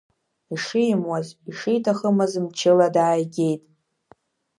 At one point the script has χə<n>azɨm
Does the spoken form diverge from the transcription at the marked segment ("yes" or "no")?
yes